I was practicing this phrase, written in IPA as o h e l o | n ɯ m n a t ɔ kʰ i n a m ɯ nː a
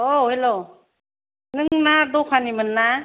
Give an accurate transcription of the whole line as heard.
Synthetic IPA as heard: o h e l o | n ɯ ŋ n a d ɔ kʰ a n i m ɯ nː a